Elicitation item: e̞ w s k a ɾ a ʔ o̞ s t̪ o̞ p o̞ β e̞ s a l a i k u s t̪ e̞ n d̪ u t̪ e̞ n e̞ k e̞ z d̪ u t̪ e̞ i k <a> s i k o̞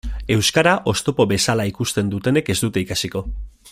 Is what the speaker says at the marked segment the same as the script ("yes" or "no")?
yes